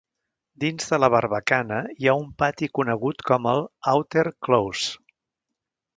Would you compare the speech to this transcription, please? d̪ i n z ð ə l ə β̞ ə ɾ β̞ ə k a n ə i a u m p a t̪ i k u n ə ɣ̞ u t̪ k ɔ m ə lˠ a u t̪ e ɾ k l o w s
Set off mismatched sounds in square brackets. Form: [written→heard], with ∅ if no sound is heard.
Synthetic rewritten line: d̪ i n z ð ə l ə β̞ ə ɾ β̞ ə k a n ə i a u m p a t̪ i k u n ə ɣ̞ u t̪ k ɔ m ə lˠ a [u→w] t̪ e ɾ k l o w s